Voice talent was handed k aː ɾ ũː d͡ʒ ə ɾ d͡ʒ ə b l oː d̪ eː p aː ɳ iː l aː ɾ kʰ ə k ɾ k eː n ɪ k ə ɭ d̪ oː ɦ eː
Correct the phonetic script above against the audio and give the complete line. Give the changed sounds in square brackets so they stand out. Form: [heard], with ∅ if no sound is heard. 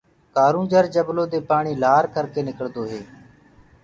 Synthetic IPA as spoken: k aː ɾ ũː d͡ʒ ə ɾ d͡ʒ ə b l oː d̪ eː p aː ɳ iː l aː ɾ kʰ ə [∅] ɾ k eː n ɪ k ə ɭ d̪ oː ɦ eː